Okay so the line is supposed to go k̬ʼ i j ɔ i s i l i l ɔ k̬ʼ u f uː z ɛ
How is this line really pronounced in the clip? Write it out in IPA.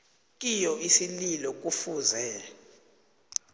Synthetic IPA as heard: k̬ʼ i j ɔ i s i l i l ɔ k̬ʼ u f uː z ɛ